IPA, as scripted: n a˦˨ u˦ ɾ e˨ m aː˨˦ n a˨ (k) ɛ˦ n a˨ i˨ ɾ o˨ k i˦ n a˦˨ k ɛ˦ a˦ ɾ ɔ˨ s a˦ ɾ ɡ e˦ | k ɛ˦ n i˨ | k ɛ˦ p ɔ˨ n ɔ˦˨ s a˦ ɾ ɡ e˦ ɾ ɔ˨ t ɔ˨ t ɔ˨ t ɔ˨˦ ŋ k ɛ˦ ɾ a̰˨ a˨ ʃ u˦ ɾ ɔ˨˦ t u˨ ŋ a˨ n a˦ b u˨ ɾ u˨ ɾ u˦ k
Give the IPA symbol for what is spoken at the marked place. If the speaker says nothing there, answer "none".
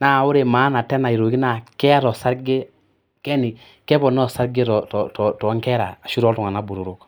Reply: t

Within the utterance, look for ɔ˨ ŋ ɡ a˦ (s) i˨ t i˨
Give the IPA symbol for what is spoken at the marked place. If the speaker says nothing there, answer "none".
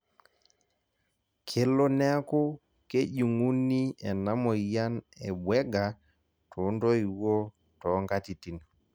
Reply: t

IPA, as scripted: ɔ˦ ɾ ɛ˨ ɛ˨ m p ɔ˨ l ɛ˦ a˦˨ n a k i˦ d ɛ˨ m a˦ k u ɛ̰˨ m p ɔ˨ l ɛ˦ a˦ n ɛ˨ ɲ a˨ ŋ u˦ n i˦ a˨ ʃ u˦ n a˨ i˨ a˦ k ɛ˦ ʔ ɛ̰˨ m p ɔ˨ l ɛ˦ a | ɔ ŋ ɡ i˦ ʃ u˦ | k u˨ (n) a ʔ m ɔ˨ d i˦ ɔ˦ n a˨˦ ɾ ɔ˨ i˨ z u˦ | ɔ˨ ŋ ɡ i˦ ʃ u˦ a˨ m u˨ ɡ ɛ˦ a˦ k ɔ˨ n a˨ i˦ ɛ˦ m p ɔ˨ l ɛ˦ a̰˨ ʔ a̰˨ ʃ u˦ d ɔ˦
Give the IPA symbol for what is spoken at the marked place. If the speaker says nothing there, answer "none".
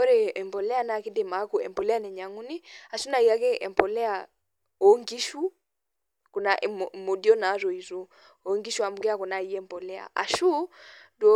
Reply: n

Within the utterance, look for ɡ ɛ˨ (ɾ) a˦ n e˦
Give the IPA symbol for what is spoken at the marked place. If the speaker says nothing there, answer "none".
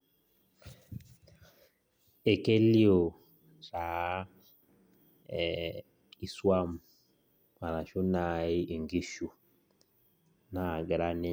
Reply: ɾ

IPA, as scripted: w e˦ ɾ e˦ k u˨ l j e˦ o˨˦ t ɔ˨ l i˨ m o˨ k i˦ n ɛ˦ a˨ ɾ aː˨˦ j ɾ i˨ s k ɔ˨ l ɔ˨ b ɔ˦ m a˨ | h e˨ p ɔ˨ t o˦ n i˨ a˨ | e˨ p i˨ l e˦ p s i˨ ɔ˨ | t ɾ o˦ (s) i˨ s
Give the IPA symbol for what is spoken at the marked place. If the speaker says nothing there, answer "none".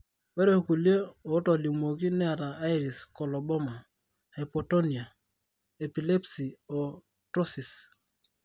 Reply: s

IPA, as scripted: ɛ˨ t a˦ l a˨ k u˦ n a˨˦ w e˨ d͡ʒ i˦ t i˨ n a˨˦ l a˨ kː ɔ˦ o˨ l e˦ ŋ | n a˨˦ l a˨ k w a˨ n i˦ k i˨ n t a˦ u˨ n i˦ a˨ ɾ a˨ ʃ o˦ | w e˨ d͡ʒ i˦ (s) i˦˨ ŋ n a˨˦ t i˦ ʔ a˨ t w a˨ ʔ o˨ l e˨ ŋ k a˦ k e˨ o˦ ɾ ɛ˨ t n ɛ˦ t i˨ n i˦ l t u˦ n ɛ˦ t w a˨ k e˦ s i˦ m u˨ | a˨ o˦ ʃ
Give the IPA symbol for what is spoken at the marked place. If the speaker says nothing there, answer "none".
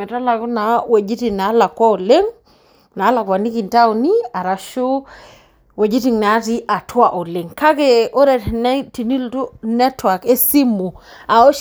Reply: t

